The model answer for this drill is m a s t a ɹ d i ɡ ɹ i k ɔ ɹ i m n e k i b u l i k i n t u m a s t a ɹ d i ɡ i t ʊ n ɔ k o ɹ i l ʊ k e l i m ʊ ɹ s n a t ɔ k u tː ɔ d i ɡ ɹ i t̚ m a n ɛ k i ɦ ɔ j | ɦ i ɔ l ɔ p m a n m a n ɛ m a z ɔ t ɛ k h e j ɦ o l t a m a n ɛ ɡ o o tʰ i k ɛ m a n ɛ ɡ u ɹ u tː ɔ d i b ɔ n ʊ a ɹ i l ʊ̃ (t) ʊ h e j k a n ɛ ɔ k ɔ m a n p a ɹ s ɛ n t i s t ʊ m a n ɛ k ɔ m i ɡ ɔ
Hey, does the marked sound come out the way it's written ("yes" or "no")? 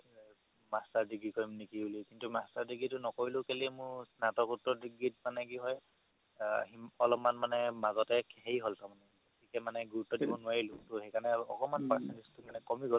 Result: yes